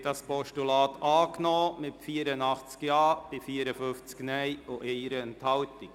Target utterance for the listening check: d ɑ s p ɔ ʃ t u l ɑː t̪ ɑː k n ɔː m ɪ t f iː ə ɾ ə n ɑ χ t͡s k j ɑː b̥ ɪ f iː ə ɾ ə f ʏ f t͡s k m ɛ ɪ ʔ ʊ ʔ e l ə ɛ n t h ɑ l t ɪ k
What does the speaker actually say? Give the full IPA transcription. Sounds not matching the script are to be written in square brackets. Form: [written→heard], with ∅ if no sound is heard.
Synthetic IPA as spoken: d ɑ s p ɔ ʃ t u l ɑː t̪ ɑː k n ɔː m ɪ t f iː ə ɾ ə n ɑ χ t͡s k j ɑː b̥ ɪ f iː ə ɾ ə f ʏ f t͡s k [m→n] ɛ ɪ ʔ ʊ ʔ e [l→ɾ] ə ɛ n t h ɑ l t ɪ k